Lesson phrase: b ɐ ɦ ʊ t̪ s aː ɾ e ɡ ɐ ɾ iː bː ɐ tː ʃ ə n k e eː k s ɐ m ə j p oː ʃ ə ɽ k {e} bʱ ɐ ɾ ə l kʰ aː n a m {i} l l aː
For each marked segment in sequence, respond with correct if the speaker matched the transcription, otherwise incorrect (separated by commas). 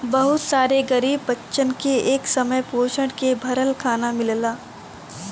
correct, incorrect